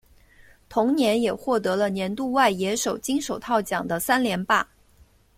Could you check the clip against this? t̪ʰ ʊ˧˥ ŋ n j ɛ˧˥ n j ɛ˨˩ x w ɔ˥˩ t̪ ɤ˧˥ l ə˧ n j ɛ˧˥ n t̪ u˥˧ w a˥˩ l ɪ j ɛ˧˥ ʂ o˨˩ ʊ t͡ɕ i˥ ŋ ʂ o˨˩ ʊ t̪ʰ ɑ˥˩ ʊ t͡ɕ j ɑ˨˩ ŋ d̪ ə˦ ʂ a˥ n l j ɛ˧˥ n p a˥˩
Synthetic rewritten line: t̪ʰ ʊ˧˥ ŋ n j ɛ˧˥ n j ɛ˨˩ x w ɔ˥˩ t̪ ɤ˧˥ l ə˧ n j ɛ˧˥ n t̪ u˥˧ w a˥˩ ɪ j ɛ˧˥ ʂ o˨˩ ʊ t͡ɕ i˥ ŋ ʂ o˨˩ ʊ t̪ʰ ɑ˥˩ ʊ t͡ɕ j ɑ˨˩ ŋ d̪ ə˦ s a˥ n l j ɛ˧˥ n p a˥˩

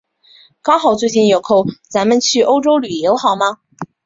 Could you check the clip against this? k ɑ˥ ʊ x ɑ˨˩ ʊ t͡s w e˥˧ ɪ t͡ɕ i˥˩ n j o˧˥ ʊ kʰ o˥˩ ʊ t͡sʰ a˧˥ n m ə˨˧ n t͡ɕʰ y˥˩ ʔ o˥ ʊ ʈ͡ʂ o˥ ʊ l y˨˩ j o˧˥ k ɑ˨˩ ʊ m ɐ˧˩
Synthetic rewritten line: k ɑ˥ ʊ x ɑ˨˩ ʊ t͡s w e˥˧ ɪ t͡ɕ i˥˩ n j o˨˩ ʊ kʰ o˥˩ ʊ t͡s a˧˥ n m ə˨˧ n t͡ɕʰ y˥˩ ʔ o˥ ʊ ʈ͡ʂ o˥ ʊ l y˨˩ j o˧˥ x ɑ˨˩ ʊ m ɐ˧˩

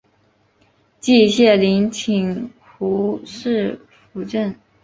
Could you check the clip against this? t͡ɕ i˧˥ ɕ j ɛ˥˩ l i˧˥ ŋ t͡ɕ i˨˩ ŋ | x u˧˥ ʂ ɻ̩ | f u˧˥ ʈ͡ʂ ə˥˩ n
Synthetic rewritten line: t͡ɕ i˥˧ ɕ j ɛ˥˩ l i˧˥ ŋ t͡ɕʰ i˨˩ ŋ | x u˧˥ ʂ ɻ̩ | f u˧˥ ʈ͡ʂ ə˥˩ n

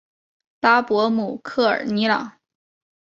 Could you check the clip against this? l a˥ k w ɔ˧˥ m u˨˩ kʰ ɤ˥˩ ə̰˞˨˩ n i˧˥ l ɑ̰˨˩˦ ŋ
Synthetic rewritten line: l a˥ p w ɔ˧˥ m u˨˩ kʰ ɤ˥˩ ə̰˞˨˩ n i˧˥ l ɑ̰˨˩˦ ŋ

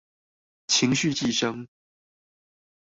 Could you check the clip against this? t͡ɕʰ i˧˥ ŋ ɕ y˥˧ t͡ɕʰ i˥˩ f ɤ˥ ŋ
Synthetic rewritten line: t͡ɕʰ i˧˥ ŋ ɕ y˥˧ t͡ɕ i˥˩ ʂ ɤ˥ ŋ

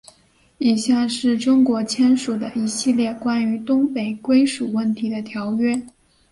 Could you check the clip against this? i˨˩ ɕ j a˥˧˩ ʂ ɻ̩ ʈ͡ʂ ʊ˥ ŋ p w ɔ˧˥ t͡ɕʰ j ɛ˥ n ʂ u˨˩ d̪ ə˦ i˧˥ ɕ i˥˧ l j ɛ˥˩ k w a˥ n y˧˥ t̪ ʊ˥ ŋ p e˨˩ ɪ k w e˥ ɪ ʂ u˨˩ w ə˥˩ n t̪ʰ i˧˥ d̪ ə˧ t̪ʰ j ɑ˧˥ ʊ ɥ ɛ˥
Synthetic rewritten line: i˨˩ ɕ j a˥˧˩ ʂ ɻ̩ ʈ͡ʂ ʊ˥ ŋ k w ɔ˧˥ t͡ɕʰ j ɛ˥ n ʂ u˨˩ d̪ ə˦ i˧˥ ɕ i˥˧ l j ɛ˥˩ k w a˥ n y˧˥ t̪ ʊ˥ ŋ p e˨˩ ɪ k w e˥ ɪ ʂ u˨˩ w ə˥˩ n t̪ʰ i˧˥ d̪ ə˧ t̪ʰ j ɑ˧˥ ʊ ɥ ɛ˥

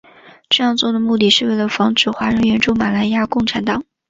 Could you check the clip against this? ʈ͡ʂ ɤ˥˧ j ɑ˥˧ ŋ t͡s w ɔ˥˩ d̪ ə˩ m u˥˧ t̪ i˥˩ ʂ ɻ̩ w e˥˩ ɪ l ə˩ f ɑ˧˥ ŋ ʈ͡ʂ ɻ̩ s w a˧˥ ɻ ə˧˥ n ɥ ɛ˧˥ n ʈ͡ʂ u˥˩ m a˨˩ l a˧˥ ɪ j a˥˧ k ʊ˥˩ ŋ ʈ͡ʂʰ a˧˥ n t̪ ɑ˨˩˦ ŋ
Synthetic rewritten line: ʈ͡ʂ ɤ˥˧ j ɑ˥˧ ŋ t͡s w ɔ˥˩ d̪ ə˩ m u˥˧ t̪ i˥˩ ʂ ɻ̩ w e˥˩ ɪ l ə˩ f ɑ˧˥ ŋ ʈ͡ʂ ɻ̩ x w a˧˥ ɻ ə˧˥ n ɥ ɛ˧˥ n ʈ͡ʂ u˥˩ m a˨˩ l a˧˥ ɪ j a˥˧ k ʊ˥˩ ŋ ʈ͡ʂʰ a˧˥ n t̪ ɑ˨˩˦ ŋ

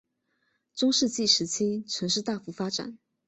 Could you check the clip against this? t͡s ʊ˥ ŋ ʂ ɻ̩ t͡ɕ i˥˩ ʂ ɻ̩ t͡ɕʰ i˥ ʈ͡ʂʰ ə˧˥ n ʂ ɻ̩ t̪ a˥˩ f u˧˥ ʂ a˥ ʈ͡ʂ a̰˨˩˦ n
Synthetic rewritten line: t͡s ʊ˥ ŋ ʂ ɻ̩ t͡ɕ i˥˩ ʂ ɻ̩ t͡ɕʰ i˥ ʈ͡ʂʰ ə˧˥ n ʂ ɻ̩ t̪ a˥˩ f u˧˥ f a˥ ʈ͡ʂ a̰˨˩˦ n

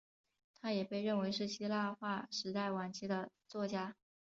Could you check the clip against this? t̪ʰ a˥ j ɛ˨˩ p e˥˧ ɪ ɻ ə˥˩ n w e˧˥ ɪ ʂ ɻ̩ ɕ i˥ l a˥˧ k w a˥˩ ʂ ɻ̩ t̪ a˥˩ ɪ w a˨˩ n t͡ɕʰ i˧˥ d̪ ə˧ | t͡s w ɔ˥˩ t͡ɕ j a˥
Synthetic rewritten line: t̪ʰ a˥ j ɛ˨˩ p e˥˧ ɪ ɻ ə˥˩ n w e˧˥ ɪ ʂ ɻ̩ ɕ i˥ l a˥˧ x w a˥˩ ʂ ɻ̩ t̪ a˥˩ ɪ w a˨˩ n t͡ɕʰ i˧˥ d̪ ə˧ | t͡s w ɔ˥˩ t͡ɕ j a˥

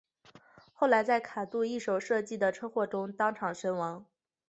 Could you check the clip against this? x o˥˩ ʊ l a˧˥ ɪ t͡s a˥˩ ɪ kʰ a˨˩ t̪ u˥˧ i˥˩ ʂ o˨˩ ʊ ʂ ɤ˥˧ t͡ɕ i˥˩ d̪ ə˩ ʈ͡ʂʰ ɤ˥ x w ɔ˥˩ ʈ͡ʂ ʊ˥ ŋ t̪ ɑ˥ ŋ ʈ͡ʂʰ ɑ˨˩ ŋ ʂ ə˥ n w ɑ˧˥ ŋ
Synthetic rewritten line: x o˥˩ ʊ l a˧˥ ɪ t͡s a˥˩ ɪ kʰ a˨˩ t̪ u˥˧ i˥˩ ʂ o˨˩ ʊ ʂ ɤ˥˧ t͡ɕ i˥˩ d̪ ə˩ ʈ͡ʂʰ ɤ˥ x w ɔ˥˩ ʈ͡ʂ ʊ˥ ŋ t̪ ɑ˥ ŋ ʈ͡ʂʰ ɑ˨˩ ŋ ʂ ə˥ n w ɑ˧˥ ŋ

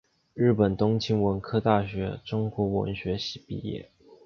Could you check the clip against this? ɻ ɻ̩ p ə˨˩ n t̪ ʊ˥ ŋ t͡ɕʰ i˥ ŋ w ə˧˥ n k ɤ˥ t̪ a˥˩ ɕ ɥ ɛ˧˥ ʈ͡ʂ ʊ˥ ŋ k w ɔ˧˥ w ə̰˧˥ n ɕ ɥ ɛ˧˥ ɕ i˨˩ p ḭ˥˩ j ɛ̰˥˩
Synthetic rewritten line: ɻ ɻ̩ p ə˨˩ n t̪ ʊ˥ ŋ t͡ɕʰ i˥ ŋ w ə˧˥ n kʰ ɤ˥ t̪ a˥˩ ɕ ɥ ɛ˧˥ ʈ͡ʂ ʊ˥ ŋ k w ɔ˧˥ w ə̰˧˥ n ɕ ɥ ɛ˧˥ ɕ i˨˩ p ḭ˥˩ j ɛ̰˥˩

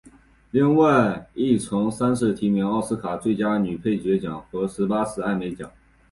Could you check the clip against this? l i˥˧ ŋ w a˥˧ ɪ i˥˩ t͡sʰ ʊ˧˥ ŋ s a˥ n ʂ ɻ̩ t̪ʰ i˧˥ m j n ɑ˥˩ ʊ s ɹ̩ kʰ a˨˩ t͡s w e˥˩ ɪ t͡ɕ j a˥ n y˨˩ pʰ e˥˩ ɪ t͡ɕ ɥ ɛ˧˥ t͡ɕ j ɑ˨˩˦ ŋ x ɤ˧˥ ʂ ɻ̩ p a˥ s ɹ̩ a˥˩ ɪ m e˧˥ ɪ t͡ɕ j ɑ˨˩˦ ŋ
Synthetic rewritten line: l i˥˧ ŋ w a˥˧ ɪ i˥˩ t͡sʰ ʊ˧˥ ŋ s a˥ n ʂ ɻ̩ t̪ʰ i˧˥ m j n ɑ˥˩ ʊ s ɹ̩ kʰ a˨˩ t͡s w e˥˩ ɪ t͡ɕ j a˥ n y˨˩ pʰ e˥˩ ɪ t͡ɕ ɥ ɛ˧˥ t͡ɕ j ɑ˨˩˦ ŋ x ɤ˧˥ ʂ ɻ̩ p a˥ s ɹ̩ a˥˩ ɪ m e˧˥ ɪ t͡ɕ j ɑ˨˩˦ ŋ

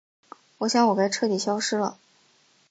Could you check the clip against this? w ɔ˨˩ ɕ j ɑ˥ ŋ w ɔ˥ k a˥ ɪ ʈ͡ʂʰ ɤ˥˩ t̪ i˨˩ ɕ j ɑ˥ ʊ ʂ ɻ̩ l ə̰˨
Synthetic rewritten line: w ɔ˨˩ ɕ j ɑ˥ ŋ w ɔ˨˩ k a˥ ɪ ʈ͡ʂʰ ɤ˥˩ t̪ i˨˩ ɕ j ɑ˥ ʊ ʂ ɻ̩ l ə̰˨

